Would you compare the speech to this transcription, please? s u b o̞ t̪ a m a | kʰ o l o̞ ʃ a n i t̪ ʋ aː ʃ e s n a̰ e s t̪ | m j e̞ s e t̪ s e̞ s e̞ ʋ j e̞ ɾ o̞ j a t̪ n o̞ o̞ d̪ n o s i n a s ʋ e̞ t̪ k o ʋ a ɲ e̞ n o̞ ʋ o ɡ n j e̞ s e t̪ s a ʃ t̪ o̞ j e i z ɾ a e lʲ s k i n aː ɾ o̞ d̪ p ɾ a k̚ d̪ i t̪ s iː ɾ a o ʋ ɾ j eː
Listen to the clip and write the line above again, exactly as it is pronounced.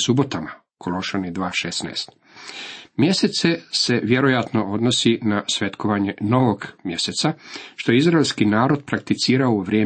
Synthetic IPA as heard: s u b o̞ t̪ a m a | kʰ o l o̞ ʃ a n i d̪ ʋ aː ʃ e s n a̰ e s t̪ | m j e̞ s e t̪ s e̞ s e̞ ʋ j e̞ ɾ o̞ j a t̪ n o̞ o̞ d̪ n o s i n a s ʋ e̞ t̪ k o ʋ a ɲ e̞ n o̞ ʋ o ɡ m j e̞ s e t̪ s a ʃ t̪ o̞ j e i z ɾ a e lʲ s k i n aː ɾ o̞ d̪ p ɾ a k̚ t̪ i t̪ s iː ɾ a o ʋ ɾ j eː